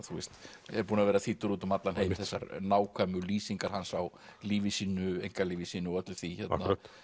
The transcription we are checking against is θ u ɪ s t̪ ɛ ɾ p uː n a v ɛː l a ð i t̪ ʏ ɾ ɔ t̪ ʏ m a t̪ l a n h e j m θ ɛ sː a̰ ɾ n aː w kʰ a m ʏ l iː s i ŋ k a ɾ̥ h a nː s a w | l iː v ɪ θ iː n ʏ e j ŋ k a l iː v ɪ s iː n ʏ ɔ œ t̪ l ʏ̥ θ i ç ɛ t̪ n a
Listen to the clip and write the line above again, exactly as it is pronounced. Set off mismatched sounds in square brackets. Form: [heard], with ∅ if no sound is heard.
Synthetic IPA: θ u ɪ s t̪ ɛ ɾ p uː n a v ɛː [ɾ] a [θ] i t̪ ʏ ɾ [u] t̪ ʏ m a t̪ l a n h e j m θ ɛ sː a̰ ɾ n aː w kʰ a m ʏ l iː s i ŋ k a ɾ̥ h a [n] s a w | l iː v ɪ [s] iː n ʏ e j ŋ k a l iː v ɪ s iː n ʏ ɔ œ t̪ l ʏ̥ θ i ç ɛ t̪ n a